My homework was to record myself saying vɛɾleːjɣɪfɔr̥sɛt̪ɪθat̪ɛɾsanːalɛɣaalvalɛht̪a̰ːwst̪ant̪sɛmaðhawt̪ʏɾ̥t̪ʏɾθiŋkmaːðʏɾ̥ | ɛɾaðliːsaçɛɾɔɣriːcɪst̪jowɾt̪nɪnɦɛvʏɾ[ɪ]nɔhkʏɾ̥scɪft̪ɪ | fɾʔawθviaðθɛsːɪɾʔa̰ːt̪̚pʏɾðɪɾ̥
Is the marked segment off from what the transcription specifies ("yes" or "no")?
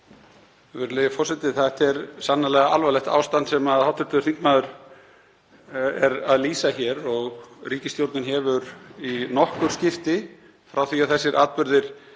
yes